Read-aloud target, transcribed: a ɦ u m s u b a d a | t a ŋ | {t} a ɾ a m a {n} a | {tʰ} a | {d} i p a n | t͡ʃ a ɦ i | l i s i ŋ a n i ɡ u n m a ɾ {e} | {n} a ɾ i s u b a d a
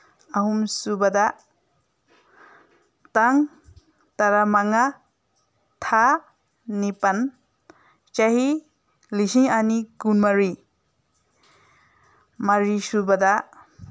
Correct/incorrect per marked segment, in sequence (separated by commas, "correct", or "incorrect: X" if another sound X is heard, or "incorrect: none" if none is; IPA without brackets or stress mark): correct, incorrect: ŋ, correct, incorrect: n, incorrect: i, incorrect: m